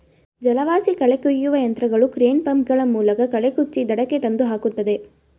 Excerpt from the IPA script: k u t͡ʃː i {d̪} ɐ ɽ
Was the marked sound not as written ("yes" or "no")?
no